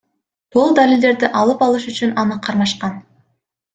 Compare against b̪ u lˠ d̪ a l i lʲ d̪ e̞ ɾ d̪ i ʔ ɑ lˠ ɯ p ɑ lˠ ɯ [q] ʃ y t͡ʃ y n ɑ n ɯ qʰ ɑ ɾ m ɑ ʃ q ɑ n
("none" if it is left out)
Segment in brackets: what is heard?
none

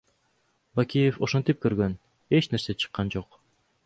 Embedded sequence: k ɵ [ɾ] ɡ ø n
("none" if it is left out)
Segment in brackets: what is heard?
ɾ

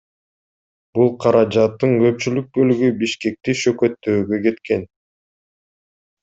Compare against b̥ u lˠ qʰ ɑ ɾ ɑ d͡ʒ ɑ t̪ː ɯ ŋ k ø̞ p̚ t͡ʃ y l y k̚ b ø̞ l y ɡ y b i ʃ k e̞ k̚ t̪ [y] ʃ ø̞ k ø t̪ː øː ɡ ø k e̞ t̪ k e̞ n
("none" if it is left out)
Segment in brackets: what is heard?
i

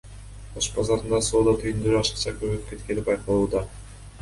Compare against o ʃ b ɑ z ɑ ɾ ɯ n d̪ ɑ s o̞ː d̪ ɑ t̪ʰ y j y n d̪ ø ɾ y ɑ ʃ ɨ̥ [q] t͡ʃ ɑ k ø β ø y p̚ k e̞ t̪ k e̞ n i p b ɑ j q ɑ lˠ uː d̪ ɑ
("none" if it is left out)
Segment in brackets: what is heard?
q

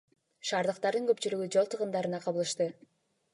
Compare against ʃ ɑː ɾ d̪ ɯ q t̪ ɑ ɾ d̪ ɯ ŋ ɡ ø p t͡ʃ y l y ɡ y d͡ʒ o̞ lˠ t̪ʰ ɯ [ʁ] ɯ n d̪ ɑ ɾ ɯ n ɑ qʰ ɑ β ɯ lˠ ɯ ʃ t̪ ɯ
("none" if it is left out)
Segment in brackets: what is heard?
ʁ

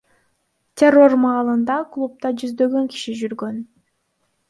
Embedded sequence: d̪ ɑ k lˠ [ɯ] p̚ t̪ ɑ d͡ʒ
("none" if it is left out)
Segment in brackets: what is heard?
u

